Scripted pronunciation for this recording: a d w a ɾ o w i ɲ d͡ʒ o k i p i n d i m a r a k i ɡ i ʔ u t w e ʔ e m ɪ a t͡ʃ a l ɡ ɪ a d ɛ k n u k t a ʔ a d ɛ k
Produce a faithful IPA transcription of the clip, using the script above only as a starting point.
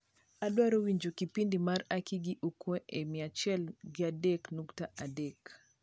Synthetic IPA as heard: a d w a ɾ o w i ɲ d͡ʒ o k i p i n d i m a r a k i ɡ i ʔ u k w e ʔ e m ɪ a t͡ʃ ɛ l ɡ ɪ a d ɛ k n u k t a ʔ a d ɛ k